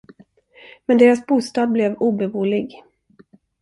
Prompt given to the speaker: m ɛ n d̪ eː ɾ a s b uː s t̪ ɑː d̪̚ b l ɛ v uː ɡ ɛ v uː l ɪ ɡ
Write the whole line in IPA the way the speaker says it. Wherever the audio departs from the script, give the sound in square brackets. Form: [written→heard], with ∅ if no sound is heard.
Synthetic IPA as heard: m ɛ n d̪ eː ɾ a s b uː s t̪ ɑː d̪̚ b l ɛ v uː [ɡ→b] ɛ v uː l ɪ ɡ